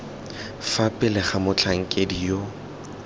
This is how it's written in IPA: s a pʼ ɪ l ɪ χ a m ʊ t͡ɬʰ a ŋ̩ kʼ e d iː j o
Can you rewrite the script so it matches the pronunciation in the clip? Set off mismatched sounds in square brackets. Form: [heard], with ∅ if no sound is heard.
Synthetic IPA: [f] a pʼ ɪ l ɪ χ a m ʊ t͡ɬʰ a ŋ̩ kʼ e d [i] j o